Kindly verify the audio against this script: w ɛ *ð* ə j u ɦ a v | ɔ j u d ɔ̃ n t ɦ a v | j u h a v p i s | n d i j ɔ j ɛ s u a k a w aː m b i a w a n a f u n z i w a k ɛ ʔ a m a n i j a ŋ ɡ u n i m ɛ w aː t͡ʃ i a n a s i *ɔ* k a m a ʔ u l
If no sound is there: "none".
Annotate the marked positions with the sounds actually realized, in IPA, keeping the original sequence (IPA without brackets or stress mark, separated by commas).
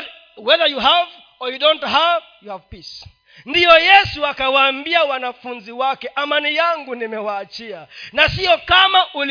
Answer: ð, ɔ